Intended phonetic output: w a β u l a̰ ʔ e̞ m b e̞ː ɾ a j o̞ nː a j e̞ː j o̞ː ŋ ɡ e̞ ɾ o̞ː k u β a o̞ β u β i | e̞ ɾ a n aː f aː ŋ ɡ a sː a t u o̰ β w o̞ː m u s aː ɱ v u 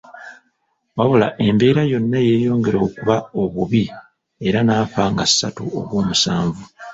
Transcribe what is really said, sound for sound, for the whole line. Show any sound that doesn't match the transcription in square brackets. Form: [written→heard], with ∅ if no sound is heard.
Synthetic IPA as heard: w a β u l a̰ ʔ e̞ m b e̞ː ɾ a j o̞ nː a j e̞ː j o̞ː ŋ ɡ e̞ ɾ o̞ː k u β a o̞ β u β i | e̞ ɾ a n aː f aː ŋ ɡ a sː a t u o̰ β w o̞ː m u s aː ɱ v u